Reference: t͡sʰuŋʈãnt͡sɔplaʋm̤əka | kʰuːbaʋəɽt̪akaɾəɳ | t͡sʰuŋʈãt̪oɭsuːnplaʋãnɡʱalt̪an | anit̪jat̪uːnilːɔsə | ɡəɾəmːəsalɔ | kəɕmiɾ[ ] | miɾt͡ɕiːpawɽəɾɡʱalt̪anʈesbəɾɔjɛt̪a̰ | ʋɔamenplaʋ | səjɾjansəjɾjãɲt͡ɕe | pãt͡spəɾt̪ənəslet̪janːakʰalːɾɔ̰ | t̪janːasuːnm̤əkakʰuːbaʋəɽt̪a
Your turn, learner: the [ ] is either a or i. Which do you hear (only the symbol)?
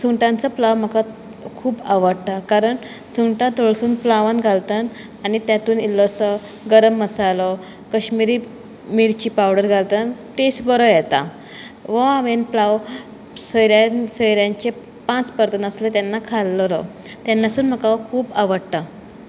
i